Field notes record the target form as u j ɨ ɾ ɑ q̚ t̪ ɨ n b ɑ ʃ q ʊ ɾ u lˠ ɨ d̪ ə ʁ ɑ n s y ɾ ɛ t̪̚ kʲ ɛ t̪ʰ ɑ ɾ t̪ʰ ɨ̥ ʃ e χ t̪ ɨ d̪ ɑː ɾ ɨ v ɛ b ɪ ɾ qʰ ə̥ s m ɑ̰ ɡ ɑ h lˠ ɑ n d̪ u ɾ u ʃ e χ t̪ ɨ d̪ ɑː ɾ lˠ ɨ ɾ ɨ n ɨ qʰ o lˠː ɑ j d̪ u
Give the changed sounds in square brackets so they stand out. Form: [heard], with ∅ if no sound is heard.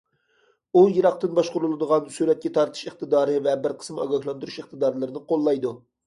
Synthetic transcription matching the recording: u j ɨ ɾ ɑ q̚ t̪ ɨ n b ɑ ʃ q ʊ ɾ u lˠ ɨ d̪ ə ʁ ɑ n s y ɾ ɛ t̪̚ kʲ ɛ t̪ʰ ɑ ɾ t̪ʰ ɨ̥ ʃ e χ t̪ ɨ d̪ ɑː ɾ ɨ v ɛ b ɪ ɾ qʰ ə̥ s m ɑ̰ ɡ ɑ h lˠ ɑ n d̪ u ɾ u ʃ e χ t̪ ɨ d̪ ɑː ɾ lˠ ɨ ɾ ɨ n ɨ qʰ o lˠː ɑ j d̪ u